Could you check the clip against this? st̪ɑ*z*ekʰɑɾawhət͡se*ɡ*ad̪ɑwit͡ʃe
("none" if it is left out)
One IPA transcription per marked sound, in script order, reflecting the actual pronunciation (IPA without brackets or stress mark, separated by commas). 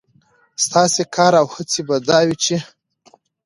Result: s, b